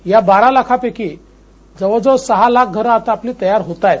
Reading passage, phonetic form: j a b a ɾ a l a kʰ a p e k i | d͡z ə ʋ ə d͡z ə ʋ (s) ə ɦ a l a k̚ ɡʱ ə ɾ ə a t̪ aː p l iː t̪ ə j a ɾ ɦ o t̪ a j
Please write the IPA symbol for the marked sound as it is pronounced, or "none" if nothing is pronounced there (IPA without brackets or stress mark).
s